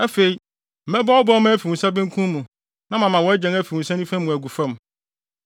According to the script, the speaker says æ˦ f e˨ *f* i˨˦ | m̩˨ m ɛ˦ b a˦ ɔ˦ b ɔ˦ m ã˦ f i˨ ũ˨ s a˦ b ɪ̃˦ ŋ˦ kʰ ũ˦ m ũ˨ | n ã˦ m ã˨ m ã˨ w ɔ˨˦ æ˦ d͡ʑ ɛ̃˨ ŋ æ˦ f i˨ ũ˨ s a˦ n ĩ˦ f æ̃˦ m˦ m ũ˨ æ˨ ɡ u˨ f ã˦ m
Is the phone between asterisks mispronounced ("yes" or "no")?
yes